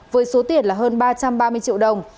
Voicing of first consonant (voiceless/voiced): voiced